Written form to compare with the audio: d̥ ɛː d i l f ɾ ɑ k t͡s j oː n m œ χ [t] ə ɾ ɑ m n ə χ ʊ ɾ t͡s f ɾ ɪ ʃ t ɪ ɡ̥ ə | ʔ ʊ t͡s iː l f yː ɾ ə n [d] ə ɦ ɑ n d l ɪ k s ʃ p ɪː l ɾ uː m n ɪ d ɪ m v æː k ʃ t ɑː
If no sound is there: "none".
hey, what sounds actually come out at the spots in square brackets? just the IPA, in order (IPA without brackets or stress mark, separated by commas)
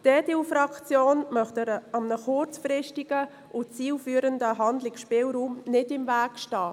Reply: t, d